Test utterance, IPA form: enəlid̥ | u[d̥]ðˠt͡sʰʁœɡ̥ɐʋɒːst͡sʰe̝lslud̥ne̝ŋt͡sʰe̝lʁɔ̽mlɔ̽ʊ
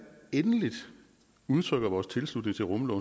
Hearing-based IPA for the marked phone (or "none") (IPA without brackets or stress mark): none